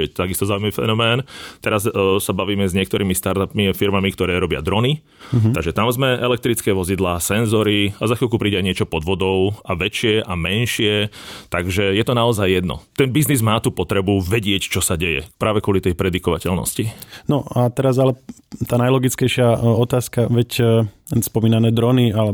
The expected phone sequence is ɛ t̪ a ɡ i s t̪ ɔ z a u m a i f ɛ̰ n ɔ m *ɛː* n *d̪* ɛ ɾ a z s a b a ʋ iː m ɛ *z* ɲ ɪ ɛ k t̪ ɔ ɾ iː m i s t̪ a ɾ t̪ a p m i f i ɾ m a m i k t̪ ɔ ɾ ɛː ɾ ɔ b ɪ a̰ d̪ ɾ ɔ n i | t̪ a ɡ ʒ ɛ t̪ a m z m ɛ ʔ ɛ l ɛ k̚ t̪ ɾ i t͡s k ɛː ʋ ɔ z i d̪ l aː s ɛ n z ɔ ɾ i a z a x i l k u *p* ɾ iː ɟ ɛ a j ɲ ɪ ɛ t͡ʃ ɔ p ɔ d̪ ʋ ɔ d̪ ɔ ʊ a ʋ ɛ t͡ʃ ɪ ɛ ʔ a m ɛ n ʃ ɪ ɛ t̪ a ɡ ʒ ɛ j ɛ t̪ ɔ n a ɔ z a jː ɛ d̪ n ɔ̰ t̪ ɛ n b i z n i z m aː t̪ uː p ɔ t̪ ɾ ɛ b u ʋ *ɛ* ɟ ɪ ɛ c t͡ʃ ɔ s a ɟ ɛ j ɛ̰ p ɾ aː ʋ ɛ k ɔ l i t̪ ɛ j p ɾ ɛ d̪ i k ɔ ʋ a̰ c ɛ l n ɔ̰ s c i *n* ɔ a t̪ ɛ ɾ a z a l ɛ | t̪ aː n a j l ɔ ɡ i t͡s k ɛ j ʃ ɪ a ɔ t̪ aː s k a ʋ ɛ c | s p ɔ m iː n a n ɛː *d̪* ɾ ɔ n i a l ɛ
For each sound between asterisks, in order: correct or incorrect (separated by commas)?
correct, incorrect, correct, correct, correct, correct, correct